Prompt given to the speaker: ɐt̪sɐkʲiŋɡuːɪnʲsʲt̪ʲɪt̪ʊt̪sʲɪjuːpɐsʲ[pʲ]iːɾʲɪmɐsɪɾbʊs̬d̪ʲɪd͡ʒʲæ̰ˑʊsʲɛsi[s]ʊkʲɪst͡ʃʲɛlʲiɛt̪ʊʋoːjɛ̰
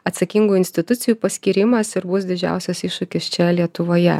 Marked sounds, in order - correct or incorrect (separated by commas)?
incorrect, incorrect